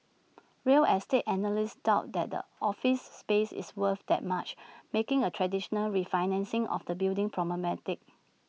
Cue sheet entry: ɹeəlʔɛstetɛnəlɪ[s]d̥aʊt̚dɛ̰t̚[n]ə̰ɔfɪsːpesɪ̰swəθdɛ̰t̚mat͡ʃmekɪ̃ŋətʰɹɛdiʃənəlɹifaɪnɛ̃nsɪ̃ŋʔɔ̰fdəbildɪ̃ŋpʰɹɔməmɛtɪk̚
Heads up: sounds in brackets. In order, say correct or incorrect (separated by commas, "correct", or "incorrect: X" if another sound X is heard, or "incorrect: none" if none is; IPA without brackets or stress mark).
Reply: correct, incorrect: d